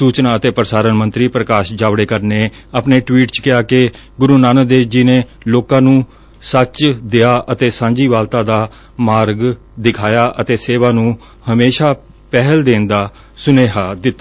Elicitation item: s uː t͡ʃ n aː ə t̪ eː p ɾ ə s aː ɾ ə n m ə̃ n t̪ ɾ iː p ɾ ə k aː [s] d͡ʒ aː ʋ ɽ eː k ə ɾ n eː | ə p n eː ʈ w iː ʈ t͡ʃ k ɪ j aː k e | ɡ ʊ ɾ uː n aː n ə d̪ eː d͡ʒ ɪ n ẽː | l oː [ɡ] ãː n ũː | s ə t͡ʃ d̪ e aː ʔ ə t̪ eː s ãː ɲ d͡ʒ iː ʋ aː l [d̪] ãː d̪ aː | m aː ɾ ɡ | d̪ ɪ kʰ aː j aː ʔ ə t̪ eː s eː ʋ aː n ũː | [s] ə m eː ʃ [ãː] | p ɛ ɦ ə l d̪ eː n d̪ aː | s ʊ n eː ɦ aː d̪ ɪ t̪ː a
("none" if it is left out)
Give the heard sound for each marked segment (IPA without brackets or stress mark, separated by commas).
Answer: ʃ, k, t̪, h, aː